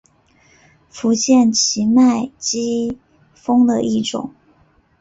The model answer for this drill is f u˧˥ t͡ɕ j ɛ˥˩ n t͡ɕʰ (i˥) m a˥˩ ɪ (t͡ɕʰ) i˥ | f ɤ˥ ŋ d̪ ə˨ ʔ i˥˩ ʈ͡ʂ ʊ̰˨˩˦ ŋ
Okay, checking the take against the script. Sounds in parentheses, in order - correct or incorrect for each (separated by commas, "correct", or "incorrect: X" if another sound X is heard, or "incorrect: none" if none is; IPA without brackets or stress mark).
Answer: incorrect: i˧˥, incorrect: t͡ɕ